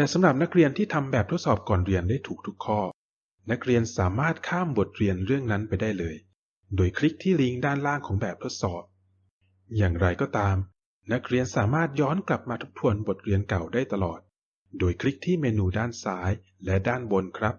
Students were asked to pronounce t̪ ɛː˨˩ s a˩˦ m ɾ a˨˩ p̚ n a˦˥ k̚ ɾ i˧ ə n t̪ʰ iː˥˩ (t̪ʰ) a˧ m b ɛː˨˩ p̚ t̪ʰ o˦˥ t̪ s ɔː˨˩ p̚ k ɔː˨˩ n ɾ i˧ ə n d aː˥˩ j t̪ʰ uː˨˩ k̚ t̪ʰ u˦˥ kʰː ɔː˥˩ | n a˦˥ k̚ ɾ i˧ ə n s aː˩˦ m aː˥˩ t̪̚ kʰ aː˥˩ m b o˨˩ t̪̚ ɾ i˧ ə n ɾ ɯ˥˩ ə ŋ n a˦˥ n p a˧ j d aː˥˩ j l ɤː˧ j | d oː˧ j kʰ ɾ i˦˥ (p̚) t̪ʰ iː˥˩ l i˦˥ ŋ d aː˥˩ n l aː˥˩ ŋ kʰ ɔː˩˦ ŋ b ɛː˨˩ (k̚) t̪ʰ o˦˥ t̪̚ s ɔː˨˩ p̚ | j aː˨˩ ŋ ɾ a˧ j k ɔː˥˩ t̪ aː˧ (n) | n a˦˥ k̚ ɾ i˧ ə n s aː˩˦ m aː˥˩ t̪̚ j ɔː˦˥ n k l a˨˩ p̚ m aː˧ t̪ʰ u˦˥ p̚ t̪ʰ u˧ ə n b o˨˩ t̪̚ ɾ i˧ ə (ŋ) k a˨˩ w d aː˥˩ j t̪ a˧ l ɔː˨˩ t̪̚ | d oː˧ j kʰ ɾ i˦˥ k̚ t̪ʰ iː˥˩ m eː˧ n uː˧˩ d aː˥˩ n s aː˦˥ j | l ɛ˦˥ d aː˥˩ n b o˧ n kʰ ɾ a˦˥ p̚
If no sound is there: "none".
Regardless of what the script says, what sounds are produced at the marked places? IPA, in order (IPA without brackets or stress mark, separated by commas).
t̪ʰ, k̚, p̚, m, n